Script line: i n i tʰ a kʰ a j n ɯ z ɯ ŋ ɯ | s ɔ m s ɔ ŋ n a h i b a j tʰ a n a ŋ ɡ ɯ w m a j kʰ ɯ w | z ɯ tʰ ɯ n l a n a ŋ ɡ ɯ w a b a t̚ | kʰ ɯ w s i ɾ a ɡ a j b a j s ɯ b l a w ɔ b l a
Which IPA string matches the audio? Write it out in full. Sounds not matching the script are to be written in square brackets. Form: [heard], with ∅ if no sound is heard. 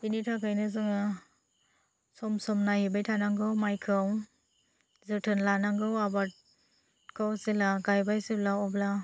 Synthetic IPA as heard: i n i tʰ a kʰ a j n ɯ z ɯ ŋ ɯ | s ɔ m s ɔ [m] n a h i b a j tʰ a n a ŋ ɡ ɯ w m a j kʰ ɯ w | z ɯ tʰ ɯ n l a n a ŋ ɡ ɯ w a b a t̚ | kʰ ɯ w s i [l] a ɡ a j b a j s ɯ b l a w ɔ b l a